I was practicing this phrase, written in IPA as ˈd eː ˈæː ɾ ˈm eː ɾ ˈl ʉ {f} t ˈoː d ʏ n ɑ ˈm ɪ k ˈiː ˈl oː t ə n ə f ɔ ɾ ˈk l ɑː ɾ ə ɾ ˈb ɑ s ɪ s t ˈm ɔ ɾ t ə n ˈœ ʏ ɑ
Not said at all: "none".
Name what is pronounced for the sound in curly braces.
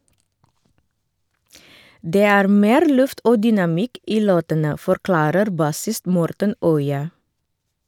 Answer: f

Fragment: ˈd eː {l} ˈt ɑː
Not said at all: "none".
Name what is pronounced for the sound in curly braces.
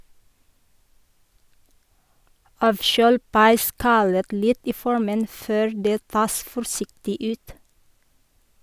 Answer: none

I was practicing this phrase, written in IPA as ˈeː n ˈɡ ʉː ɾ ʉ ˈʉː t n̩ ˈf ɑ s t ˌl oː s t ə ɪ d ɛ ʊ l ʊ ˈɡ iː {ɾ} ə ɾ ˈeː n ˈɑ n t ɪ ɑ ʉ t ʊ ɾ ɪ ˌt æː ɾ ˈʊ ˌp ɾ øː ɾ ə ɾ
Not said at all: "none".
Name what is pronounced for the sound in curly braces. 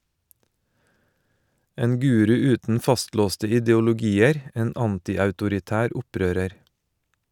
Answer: none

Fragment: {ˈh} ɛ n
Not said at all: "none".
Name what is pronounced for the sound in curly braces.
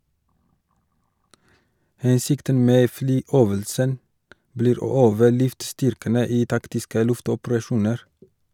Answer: h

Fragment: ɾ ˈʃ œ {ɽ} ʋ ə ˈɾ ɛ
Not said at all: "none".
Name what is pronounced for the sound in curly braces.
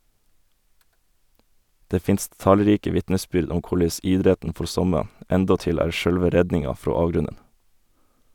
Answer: l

